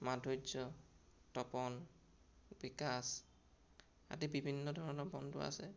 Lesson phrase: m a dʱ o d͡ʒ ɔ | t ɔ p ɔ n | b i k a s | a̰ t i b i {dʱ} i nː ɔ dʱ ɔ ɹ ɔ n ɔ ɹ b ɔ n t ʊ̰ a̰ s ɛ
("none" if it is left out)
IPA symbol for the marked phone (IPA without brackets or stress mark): bʱ